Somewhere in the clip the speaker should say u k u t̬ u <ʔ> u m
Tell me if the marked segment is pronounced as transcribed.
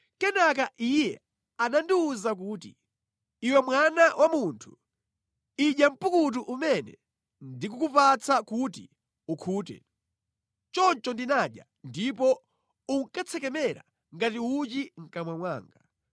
yes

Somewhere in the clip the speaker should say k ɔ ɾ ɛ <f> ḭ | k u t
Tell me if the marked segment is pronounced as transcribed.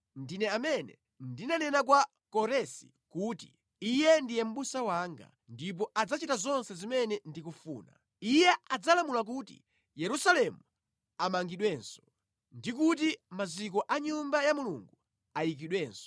no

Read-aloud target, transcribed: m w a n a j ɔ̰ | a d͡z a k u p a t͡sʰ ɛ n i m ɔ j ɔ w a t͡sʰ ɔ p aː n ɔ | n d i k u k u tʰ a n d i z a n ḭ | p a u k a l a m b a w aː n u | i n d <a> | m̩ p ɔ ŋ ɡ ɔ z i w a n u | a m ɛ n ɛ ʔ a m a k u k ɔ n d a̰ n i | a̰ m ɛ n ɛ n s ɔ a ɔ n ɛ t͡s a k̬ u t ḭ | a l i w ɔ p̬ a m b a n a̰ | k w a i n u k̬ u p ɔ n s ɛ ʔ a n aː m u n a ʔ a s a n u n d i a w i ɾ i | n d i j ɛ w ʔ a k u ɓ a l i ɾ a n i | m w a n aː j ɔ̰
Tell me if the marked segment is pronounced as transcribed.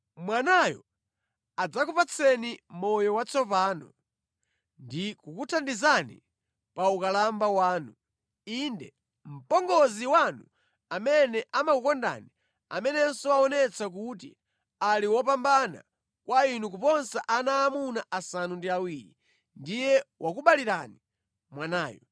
no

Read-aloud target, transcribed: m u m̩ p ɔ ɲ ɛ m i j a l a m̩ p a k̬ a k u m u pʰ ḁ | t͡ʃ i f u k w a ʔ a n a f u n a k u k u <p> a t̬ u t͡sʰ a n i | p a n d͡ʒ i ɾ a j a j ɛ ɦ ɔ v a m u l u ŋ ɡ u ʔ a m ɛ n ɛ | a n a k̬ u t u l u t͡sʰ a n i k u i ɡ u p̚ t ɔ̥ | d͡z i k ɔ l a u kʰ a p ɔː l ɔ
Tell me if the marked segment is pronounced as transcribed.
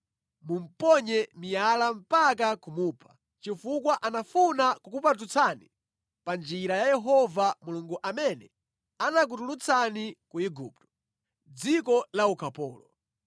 yes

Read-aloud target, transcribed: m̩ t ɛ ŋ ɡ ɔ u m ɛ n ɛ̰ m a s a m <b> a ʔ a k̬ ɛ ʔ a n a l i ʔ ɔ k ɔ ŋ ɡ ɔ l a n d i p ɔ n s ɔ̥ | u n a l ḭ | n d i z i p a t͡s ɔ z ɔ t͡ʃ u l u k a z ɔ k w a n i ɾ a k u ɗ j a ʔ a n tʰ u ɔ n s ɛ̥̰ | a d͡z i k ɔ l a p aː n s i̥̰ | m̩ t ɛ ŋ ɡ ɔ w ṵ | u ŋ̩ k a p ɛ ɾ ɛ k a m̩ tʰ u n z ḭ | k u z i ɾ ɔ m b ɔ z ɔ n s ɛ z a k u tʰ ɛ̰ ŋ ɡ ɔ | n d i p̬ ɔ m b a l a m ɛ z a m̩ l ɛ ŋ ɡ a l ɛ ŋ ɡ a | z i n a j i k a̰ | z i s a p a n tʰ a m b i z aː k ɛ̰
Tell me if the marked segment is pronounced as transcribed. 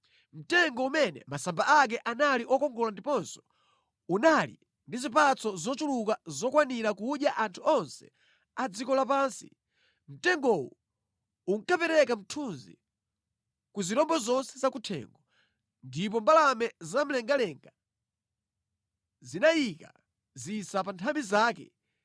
yes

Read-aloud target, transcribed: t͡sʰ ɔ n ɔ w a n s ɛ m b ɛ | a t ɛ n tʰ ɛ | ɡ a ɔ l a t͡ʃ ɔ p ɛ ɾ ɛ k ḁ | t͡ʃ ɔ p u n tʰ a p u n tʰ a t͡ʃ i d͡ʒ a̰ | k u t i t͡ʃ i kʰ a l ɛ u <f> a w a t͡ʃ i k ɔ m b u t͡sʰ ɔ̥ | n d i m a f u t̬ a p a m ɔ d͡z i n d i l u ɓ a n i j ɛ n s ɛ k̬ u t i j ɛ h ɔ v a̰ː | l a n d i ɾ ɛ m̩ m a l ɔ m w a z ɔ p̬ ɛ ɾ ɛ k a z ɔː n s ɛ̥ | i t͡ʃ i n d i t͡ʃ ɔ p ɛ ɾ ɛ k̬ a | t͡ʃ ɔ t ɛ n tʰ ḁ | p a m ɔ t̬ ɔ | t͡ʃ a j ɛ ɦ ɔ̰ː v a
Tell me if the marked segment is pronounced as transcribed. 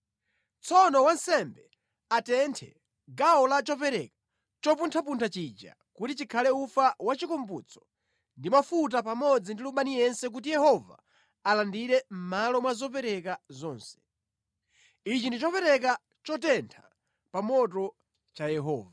yes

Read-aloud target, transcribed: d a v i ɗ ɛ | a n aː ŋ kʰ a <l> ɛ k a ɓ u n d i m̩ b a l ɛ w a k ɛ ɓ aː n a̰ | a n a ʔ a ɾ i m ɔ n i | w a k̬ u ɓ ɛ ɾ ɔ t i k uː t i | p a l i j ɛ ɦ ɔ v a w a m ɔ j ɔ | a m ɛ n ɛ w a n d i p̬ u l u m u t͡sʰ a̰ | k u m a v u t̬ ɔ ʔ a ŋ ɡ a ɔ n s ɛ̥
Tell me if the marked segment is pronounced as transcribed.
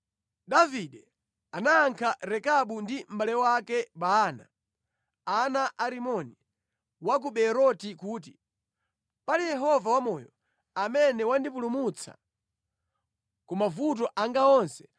no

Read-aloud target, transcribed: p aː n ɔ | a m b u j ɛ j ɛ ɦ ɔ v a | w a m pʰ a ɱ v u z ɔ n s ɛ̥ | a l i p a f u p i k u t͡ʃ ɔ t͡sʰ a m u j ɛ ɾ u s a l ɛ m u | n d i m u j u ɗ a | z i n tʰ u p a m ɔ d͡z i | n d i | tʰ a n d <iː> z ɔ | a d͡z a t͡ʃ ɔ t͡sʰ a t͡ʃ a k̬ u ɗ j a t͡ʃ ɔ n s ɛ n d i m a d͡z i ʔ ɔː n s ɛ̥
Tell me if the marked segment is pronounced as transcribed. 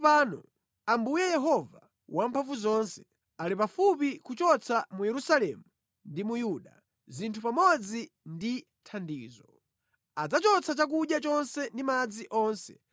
yes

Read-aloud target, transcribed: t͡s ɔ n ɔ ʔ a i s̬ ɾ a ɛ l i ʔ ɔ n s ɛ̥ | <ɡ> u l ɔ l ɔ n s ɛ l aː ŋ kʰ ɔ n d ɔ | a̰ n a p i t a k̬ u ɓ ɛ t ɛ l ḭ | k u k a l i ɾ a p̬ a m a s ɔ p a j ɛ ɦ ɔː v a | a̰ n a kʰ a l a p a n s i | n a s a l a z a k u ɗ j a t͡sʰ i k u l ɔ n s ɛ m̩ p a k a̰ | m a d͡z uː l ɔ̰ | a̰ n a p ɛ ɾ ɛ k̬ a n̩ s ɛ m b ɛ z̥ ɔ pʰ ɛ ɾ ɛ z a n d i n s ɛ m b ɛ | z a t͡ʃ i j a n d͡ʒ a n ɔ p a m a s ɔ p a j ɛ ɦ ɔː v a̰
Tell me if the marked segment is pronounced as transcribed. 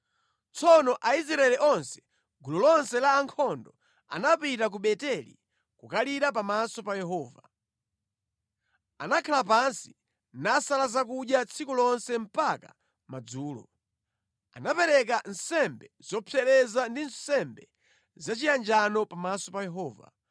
yes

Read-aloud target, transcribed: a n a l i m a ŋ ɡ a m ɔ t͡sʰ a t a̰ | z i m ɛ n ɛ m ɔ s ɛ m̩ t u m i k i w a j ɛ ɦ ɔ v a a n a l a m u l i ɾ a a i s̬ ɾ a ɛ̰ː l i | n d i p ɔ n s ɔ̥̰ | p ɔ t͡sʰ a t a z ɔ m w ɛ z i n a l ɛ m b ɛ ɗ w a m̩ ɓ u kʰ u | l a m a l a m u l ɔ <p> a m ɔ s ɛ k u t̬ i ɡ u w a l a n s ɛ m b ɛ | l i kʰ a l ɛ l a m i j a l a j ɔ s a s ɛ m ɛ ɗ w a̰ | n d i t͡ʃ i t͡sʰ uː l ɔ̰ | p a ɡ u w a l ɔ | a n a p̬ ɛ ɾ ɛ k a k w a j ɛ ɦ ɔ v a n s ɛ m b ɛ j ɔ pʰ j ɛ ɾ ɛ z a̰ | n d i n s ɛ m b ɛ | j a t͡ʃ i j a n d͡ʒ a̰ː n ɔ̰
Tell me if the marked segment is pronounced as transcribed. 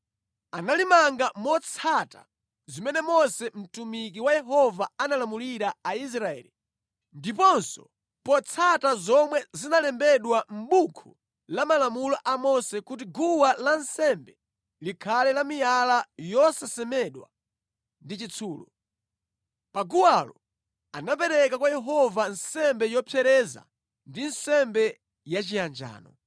no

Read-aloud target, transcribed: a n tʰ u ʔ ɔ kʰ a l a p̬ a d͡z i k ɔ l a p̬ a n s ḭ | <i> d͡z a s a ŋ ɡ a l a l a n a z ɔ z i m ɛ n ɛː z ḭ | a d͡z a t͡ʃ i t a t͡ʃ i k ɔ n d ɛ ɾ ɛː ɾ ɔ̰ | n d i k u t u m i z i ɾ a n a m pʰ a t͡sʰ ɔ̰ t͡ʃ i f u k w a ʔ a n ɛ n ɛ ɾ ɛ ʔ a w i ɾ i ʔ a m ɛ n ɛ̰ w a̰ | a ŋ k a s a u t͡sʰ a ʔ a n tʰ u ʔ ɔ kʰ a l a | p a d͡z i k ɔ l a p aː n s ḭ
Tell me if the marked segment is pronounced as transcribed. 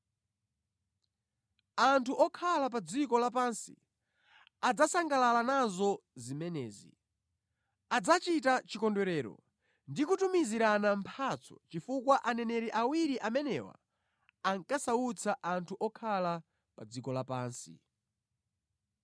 no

